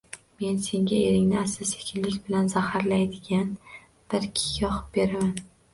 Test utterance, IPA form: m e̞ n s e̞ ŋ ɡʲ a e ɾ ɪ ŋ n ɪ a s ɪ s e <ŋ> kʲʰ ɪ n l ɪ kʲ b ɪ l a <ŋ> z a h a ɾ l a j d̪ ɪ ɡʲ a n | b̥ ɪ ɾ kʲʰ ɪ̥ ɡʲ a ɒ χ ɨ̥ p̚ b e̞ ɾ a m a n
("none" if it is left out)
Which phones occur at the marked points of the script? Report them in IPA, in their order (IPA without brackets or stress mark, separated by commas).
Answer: none, n